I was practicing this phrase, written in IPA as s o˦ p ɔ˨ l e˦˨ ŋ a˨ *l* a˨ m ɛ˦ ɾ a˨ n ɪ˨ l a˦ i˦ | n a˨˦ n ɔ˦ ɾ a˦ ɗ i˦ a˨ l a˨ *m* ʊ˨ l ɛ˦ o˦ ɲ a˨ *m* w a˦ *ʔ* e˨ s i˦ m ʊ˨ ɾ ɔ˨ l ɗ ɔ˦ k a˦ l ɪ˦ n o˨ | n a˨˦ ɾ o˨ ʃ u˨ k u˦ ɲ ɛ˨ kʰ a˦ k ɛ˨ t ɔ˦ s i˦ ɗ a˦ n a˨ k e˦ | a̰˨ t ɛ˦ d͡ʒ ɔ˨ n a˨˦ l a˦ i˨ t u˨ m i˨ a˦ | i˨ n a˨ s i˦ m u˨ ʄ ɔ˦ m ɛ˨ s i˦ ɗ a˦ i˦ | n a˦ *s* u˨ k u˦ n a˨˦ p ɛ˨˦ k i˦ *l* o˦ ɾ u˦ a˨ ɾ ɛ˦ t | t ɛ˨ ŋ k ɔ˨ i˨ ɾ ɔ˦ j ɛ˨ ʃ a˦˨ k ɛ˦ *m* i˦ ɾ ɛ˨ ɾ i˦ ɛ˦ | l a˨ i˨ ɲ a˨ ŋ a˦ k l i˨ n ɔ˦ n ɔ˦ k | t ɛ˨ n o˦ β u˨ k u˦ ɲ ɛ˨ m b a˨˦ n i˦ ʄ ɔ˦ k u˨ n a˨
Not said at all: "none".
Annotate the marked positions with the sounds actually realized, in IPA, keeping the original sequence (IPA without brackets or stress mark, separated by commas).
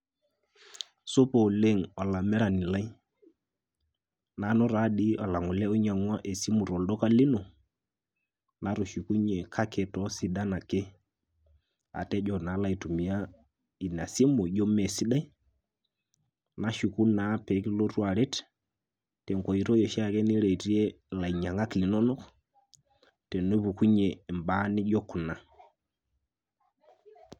l, ŋ, ŋ, ʔ, ʃ, l, n